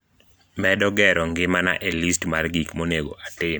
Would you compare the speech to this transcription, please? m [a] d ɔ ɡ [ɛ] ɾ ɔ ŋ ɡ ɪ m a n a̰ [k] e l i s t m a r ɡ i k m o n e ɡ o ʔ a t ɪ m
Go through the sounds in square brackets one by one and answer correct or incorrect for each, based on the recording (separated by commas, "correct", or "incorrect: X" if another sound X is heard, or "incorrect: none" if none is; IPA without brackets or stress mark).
incorrect: ɛ, correct, incorrect: ʔ